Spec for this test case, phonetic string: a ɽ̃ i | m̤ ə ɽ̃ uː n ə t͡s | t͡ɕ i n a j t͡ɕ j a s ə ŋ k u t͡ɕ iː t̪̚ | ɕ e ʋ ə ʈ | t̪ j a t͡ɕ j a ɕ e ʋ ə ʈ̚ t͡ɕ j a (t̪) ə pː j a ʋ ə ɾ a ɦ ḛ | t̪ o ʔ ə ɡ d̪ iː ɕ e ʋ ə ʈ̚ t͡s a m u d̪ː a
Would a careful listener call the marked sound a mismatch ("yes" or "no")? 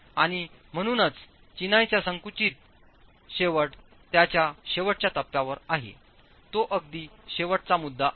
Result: no